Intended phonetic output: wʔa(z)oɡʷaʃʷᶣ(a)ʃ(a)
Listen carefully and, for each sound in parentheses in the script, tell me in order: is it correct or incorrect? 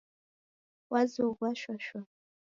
correct, correct, correct

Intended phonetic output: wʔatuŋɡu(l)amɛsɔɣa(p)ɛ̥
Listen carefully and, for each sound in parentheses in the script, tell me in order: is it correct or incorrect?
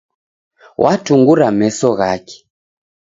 incorrect: ɾ, incorrect: k

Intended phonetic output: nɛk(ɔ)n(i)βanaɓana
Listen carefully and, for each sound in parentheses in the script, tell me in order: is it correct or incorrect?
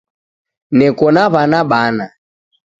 correct, incorrect: a

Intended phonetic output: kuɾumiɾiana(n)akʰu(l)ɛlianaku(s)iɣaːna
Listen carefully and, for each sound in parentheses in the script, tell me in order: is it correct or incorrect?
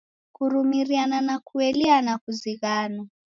correct, incorrect: none, incorrect: z

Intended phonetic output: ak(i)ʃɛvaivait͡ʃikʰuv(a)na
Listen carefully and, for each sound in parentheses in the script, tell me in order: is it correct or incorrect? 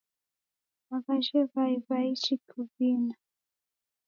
incorrect: a, incorrect: i

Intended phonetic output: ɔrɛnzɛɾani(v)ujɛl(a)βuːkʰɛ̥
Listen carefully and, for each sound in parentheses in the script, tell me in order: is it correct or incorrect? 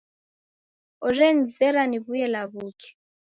incorrect: β, correct

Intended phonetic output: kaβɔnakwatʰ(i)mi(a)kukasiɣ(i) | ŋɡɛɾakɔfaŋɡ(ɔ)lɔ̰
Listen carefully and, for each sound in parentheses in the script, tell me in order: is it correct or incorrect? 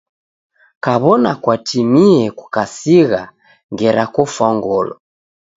correct, incorrect: ɛ, incorrect: a, correct

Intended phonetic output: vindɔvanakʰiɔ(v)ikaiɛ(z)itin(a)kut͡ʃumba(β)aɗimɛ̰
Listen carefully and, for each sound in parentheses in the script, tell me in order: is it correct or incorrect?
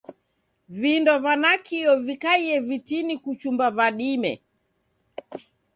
correct, incorrect: v, incorrect: i, incorrect: v

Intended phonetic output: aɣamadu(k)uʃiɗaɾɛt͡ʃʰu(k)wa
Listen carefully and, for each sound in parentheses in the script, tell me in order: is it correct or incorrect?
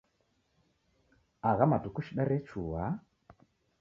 correct, incorrect: none

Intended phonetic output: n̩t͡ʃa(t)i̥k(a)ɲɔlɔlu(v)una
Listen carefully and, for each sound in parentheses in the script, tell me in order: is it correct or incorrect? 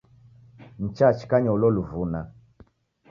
incorrect: t͡ʃ, correct, correct

